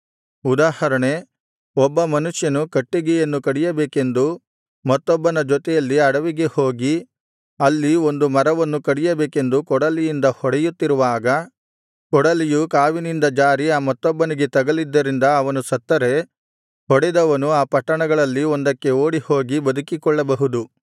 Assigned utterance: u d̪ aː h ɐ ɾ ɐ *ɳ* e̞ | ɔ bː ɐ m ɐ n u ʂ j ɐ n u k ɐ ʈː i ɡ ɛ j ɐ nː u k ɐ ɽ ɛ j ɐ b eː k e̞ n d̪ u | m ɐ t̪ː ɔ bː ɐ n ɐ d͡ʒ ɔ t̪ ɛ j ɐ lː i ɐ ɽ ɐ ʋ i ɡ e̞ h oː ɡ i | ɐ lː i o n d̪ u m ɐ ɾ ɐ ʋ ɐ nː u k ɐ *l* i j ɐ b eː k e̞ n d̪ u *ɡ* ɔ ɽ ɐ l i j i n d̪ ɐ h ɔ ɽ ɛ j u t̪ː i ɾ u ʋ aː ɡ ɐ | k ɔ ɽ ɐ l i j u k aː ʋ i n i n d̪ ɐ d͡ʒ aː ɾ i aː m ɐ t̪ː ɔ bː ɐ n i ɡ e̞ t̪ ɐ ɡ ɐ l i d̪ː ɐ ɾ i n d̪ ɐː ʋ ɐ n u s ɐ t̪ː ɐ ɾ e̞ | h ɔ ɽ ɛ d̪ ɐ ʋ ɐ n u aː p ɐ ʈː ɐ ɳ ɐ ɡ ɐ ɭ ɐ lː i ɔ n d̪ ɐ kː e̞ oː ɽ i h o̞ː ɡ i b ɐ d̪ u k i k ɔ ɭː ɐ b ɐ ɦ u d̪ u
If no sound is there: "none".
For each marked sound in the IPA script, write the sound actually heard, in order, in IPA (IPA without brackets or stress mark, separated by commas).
ɳ, ɽ, k